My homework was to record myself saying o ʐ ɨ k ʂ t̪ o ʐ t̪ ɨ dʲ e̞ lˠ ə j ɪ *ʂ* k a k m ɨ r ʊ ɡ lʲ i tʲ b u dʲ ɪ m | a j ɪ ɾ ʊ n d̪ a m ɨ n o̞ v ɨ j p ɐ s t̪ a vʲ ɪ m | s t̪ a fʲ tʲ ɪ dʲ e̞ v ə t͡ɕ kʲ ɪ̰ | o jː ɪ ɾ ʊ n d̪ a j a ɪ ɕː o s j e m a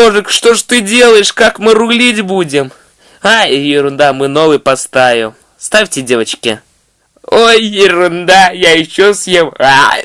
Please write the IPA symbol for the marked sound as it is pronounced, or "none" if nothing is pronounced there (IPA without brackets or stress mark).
ʂ